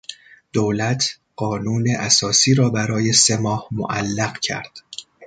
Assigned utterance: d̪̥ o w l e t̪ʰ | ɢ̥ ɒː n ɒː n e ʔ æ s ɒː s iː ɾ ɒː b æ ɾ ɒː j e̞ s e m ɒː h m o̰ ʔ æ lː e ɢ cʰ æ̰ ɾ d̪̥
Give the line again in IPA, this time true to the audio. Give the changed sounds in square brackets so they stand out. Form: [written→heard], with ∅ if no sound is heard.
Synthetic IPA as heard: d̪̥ o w l [e→æ] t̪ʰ | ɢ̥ ɒː n [ɒː→uː] n e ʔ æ s ɒː s iː ɾ ɒː b æ ɾ ɒː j e̞ s e m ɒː h m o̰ ʔ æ lː [e→æ] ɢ cʰ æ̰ ɾ d̪̥

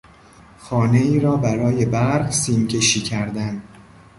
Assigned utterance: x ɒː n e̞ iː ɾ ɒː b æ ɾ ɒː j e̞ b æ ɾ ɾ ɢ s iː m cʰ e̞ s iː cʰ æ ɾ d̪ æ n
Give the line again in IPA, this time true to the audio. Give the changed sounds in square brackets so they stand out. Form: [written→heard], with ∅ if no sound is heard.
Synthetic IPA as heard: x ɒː n e̞ iː ɾ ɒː b æ ɾ ɒː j e̞ b æ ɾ ɾ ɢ s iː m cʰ e̞ [s→ʃ] iː cʰ æ ɾ d̪ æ n

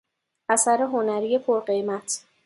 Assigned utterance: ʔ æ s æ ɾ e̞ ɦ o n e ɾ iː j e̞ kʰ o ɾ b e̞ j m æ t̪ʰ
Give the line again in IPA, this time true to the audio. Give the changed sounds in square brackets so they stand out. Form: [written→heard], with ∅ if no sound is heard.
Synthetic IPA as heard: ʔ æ s æ ɾ e̞ ɦ o n [e→æ] ɾ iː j e̞ [kʰ→pʰ] o ɾ [b→ɢ] e̞ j m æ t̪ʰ

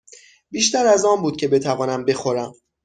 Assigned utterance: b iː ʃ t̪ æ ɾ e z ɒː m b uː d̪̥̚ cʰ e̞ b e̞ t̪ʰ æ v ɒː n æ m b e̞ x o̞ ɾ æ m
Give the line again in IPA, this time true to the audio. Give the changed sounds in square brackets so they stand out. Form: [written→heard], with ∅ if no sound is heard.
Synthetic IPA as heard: b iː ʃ t̪ æ ɾ [e→æ] z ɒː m b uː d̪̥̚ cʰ e̞ b e̞ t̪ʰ æ v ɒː n æ m b e̞ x o̞ ɾ æ m

